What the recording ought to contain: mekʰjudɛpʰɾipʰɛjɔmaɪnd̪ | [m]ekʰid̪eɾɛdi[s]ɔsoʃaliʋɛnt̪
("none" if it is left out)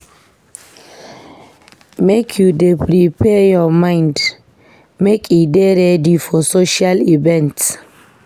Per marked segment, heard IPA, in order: m, f

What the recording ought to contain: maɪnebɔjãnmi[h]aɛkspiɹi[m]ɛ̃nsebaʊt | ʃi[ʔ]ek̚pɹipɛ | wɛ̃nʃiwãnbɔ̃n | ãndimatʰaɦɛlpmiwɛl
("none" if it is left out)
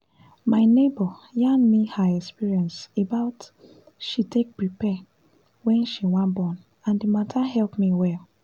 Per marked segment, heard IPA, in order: h, none, t

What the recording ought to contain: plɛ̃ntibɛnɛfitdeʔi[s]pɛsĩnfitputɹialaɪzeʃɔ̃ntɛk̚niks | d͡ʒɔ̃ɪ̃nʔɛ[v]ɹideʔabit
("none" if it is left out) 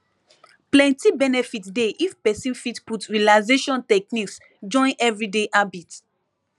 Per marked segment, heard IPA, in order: f, v

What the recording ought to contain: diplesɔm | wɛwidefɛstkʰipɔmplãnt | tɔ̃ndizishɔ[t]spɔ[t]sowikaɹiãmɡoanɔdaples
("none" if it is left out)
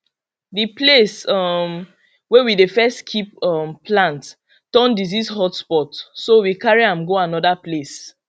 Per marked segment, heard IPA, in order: t, t

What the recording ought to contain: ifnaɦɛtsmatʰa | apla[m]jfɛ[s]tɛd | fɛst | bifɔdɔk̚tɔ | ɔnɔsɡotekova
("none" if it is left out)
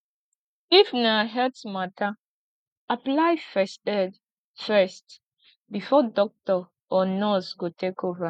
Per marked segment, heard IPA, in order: none, s

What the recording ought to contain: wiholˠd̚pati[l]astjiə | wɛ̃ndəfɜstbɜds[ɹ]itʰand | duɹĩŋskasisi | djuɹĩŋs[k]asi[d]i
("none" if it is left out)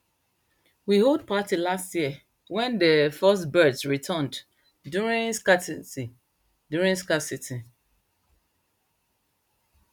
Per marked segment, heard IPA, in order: l, ɹ, k, t

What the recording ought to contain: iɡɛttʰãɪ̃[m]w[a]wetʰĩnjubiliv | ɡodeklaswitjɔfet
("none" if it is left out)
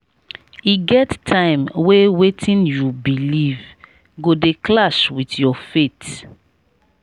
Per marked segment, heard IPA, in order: m, e

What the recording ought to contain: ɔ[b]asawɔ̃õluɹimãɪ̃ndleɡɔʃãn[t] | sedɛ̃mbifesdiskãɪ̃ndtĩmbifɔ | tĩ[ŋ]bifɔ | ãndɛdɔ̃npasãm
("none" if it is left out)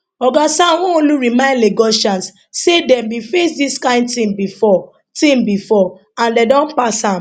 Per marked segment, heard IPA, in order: ɡ, s, m

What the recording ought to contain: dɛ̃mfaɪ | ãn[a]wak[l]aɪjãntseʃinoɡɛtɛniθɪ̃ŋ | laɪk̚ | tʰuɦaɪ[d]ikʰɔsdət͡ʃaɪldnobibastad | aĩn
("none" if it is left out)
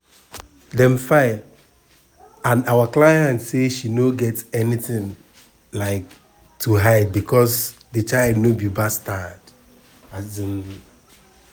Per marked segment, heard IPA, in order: a, l, b

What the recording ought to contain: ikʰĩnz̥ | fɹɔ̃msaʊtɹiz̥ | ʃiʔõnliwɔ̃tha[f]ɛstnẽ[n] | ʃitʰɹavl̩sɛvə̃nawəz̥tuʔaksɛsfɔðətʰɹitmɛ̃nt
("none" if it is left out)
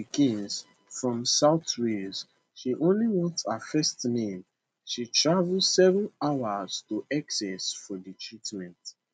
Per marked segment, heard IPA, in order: f, m

